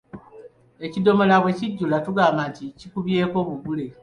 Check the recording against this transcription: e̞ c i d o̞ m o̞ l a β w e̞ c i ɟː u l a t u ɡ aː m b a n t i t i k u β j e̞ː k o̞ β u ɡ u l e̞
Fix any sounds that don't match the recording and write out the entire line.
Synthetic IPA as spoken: e̞ c i d o̞ m o̞ l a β w e̞ c i ɟː u l a t u ɡ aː m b a n t i c i k u β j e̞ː k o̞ β u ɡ u l e̞